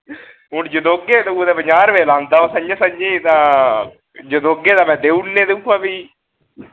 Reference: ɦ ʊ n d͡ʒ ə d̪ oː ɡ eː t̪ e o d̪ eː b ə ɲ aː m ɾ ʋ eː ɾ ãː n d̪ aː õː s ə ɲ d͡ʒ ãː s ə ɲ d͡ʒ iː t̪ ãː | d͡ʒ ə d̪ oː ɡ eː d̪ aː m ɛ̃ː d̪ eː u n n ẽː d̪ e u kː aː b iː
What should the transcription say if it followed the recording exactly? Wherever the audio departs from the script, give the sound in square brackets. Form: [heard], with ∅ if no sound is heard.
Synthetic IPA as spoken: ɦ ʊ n d͡ʒ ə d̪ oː ɡ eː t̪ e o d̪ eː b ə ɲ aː [∅] ɾ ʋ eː [l] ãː n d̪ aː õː s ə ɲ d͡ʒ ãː s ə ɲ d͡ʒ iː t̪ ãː | d͡ʒ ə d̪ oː ɡ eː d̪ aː m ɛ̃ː d̪ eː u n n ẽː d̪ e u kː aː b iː